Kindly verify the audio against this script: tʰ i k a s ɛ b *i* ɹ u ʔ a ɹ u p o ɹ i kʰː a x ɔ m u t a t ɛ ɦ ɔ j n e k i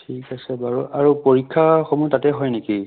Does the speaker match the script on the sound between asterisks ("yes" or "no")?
no